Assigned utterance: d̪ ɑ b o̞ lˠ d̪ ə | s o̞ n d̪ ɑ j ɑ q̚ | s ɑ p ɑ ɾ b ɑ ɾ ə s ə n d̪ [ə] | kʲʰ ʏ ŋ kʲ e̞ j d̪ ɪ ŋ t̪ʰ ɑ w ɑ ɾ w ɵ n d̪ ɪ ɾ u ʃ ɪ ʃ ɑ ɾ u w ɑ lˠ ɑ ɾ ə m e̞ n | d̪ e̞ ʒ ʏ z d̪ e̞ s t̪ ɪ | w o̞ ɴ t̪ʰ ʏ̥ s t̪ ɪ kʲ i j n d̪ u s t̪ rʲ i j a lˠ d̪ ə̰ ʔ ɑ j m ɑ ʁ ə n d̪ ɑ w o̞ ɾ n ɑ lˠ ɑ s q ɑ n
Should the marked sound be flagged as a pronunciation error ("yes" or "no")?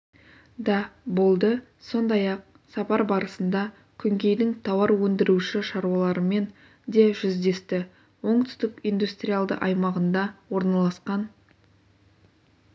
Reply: yes